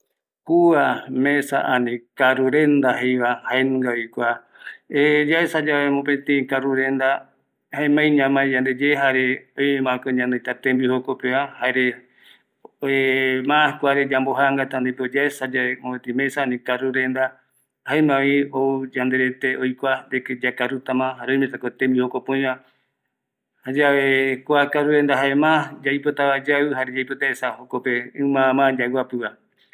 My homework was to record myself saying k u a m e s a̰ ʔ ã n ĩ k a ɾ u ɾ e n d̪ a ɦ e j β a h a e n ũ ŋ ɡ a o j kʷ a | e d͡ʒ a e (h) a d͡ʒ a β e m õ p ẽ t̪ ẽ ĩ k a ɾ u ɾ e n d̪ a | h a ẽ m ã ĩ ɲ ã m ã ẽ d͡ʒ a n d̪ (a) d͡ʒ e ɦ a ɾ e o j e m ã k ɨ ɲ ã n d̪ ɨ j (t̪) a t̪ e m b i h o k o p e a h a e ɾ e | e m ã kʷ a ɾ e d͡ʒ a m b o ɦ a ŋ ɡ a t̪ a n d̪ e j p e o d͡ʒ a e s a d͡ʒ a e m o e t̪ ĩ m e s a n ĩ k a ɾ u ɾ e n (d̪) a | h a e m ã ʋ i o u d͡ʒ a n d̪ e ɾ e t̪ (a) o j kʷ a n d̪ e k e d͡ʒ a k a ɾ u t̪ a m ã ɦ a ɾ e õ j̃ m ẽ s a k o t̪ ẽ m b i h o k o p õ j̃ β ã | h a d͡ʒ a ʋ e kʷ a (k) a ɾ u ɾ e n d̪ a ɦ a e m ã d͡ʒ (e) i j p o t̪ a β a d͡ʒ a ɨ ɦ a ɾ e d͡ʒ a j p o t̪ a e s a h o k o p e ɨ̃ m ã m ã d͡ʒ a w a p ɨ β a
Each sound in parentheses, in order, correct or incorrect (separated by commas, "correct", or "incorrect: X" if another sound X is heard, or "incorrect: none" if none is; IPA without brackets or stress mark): incorrect: s, incorrect: e, correct, correct, incorrect: e, correct, incorrect: a